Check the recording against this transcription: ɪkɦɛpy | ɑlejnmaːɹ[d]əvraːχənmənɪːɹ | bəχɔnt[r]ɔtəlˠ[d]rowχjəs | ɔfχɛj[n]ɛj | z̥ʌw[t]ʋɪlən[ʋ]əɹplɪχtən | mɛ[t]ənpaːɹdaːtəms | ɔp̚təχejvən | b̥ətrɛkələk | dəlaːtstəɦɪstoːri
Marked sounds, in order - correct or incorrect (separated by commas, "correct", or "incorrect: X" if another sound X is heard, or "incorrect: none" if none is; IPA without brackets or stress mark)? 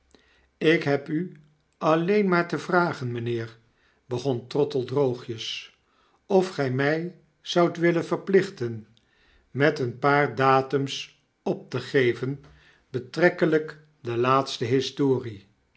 incorrect: t, correct, correct, incorrect: m, correct, incorrect: v, correct